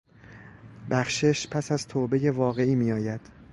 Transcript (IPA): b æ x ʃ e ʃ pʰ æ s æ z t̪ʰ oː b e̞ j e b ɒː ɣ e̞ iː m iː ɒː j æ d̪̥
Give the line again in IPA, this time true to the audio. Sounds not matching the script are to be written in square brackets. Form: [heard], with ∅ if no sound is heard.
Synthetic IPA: b æ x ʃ e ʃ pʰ æ s æ z t̪ʰ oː b e̞ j e [v] ɒː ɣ e̞ iː m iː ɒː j æ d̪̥